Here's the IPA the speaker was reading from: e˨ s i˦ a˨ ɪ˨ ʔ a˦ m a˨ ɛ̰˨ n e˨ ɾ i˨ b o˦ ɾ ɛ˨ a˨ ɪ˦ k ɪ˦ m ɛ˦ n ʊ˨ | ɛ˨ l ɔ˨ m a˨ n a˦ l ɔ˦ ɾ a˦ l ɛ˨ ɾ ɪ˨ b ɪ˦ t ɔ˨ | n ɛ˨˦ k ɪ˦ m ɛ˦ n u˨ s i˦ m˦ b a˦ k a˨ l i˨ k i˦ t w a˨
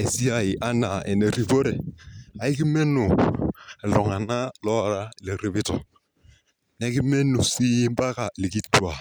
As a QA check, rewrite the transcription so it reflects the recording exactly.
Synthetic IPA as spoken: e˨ s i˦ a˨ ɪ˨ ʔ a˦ n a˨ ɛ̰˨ n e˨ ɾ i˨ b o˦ ɾ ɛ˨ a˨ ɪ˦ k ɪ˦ m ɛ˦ n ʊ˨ | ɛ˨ l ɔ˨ ŋ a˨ n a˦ l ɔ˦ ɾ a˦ l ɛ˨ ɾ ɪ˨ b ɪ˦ t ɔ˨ | n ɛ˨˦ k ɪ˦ m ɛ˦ n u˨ s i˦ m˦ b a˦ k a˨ l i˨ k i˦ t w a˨